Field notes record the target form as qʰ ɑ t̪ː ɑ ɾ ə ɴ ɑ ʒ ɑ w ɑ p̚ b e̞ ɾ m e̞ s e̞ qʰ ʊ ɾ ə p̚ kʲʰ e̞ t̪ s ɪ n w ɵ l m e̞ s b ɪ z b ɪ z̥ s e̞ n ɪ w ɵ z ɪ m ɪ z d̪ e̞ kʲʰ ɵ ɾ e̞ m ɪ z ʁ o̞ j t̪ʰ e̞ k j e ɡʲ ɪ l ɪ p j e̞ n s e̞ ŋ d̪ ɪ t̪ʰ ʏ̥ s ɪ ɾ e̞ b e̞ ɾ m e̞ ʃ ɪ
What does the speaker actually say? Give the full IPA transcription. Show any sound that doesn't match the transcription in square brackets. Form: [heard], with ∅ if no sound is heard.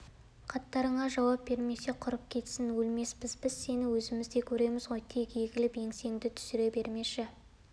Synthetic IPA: qʰ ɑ t̪ː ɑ ɾ ə ɴ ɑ ʒ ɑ w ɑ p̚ b e̞ ɾ m e̞ s e̞ qʰ ʊ ɾ ə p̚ kʲʰ e̞ t̪ s ɪ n w ɵ l m e̞ s b ɪ z b ɪ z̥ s e̞ n ɪ w ɵ z ɪ m ɪ z d̪ e̞ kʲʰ ɵ ɾ e̞ m ɪ z ʁ o̞ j t̪ʰ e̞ k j e ɡʲ ɪ l ɪ p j e̞ [ŋ] s e̞ ŋ d̪ ɪ t̪ʰ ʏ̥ s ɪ ɾ e̞ b e̞ ɾ m e̞ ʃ ɪ